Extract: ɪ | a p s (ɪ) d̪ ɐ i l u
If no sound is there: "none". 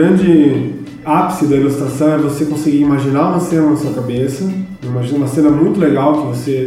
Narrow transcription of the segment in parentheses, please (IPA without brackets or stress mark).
ɪ